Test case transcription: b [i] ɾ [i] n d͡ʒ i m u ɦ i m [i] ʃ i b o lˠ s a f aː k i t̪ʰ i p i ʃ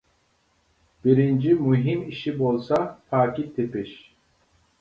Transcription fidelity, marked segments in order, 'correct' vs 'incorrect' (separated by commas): correct, correct, correct